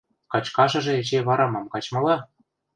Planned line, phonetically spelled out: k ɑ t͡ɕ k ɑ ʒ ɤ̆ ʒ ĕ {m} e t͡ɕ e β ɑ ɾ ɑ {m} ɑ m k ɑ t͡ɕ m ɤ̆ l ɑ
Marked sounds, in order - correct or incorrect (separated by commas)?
incorrect, correct